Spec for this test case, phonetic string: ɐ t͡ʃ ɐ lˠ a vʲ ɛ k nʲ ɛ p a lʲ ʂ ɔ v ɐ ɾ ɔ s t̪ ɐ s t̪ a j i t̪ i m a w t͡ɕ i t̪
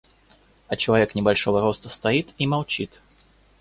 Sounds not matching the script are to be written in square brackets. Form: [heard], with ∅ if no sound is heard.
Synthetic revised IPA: ɐ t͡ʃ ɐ lˠ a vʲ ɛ k nʲ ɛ [b] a lʲ ʂ ɔ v ɐ ɾ ɔ s t̪ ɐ s t̪ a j i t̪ i m a w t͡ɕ i t̪